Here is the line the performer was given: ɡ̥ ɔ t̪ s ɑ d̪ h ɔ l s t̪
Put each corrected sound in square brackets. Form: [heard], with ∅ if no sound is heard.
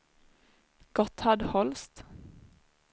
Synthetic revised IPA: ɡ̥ ɔ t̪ [h] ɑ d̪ h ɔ l s t̪